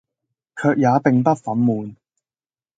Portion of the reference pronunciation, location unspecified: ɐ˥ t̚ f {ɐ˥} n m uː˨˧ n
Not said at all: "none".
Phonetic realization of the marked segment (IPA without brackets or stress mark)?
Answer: ɐ˨˥